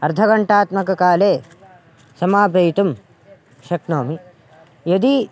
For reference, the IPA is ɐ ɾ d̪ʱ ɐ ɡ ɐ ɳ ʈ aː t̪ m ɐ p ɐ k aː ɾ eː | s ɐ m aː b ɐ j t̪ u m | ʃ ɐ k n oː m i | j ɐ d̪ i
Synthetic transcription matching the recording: ɐ ɾ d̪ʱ ɐ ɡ ɐ ɳ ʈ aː t̪ m ɐ k ɐ k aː l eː | s ɐ m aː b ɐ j t̪ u m | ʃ ɐ k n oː m i | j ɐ d̪ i